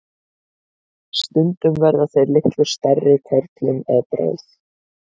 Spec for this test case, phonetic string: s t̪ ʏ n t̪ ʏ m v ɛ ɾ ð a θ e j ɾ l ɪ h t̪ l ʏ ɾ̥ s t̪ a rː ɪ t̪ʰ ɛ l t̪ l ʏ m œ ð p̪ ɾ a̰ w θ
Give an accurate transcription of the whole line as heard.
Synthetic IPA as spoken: s t̪ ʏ n t̪ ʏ m v ɛ ɾ ð a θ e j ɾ l ɪ h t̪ l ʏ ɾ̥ s t̪ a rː ɪ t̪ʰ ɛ ɾ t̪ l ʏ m ɛ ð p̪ ɾ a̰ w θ